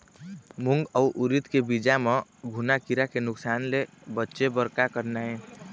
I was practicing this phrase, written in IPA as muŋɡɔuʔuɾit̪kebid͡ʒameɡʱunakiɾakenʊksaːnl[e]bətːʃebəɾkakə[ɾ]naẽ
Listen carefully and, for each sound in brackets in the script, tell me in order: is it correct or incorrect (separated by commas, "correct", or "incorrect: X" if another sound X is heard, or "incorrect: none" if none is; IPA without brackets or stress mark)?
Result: correct, correct